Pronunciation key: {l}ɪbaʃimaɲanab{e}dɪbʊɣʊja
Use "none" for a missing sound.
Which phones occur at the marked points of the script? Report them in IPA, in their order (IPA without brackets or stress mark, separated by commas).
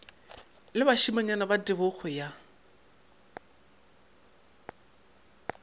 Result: l, a